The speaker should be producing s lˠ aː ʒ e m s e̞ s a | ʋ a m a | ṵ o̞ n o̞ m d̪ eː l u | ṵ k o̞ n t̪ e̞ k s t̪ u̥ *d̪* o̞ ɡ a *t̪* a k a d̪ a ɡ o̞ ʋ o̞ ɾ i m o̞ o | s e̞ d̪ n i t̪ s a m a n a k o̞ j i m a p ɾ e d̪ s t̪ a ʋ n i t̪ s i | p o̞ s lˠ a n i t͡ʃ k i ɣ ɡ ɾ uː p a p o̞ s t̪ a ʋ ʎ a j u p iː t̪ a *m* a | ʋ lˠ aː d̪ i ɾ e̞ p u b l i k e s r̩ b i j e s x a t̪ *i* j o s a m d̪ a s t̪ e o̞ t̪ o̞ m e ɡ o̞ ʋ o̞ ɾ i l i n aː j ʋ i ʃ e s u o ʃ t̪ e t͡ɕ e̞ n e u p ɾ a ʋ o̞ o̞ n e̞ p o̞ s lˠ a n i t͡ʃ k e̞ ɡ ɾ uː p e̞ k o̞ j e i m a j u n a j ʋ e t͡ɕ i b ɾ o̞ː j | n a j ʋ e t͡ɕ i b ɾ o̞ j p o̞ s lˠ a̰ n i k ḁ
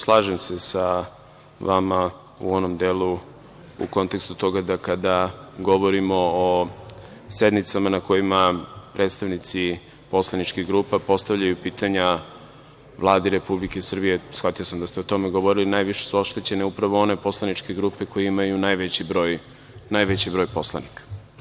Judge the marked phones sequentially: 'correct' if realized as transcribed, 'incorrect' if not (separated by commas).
incorrect, incorrect, incorrect, correct